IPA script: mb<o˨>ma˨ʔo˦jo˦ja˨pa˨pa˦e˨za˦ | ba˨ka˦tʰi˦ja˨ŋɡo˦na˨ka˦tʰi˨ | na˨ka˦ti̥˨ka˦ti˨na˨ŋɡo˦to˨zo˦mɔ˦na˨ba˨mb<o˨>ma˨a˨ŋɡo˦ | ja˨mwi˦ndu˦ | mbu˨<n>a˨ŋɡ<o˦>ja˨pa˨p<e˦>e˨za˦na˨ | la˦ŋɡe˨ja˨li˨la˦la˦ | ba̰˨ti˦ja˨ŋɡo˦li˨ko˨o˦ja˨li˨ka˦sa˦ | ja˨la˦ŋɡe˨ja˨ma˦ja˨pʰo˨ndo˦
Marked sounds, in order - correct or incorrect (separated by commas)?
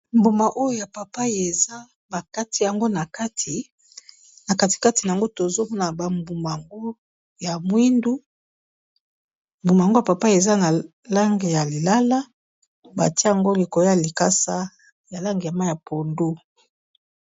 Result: incorrect, incorrect, incorrect, correct, incorrect